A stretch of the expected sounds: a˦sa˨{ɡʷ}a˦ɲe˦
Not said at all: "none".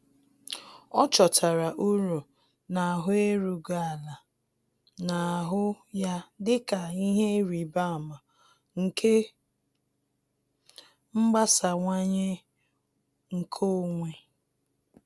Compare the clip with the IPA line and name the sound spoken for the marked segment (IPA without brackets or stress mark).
ŋʷ